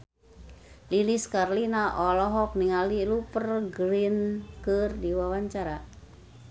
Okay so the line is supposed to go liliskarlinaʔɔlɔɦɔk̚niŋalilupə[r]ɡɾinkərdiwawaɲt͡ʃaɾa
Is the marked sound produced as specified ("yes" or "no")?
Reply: yes